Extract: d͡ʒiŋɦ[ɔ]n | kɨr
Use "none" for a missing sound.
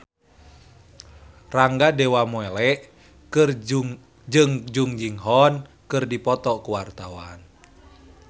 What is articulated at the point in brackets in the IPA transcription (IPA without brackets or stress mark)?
ɔ